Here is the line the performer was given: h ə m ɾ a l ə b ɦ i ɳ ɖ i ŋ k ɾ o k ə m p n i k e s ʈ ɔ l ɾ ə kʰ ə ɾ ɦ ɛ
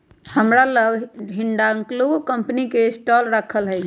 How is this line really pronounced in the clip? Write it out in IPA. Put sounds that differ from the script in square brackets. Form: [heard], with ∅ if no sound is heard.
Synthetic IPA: h ə m ɾ a l ə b ɦ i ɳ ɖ [a] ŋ k [l] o k ə m p n i k e s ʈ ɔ l ɾ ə kʰ ə [l] ɦ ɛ